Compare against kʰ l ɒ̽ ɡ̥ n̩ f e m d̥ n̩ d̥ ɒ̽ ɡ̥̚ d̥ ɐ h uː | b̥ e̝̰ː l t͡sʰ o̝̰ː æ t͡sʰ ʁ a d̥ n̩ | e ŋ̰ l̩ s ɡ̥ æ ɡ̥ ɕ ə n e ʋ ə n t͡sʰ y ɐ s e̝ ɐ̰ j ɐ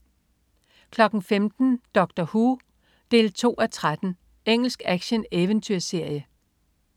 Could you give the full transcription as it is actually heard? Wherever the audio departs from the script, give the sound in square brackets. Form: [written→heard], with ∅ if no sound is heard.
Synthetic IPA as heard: kʰ l ɒ̽ ɡ̥ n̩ f e m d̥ n̩ d̥ ɒ̽ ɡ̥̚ d̥ ɐ h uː | [b̥→d̥] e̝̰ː l t͡sʰ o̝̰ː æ t͡sʰ ʁ a d̥ n̩ | e ŋ̰ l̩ s ɡ̥ æ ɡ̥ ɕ ə n e ʋ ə n t͡sʰ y ɐ s e̝ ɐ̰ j [ɐ→ə]